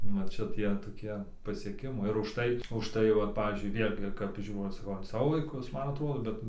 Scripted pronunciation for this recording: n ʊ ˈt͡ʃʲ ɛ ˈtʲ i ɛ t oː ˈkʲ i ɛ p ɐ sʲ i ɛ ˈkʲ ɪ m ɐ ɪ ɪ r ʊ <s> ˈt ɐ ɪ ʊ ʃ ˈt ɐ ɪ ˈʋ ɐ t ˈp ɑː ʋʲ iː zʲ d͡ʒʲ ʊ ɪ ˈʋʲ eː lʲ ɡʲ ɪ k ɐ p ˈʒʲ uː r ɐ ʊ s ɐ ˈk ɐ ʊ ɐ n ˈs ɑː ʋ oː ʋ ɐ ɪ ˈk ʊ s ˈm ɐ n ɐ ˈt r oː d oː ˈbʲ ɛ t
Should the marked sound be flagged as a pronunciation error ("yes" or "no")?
yes